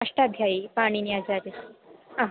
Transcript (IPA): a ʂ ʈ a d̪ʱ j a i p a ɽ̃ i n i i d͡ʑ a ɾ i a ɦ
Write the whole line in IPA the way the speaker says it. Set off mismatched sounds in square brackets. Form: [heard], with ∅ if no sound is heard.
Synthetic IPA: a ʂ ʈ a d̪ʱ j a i p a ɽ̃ i n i [a] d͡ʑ a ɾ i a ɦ